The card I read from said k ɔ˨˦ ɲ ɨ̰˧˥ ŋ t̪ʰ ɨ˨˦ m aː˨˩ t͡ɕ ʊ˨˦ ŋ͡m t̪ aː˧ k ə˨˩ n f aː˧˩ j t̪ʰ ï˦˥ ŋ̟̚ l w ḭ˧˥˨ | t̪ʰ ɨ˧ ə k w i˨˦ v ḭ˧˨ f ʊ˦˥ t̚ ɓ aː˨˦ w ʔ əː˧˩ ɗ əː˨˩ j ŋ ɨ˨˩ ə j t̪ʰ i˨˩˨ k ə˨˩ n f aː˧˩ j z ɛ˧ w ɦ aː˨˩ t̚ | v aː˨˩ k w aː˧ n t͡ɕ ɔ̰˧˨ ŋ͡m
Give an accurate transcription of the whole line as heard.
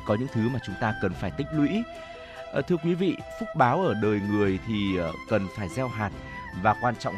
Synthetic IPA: k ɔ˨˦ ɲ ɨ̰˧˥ ŋ t̪ʰ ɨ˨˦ m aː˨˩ t͡ɕ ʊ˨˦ ŋ͡m t̪ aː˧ k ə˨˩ n f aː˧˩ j t̪ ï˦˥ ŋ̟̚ l w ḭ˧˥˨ | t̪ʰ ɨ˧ ə k w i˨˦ v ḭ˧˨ f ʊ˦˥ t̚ ɓ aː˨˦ w ʔ əː˧˩ ɗ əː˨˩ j ŋ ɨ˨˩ ə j t̪ʰ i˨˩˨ k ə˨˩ n f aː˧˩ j z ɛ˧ w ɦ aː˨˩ t̚ | v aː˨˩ k w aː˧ n t͡ɕ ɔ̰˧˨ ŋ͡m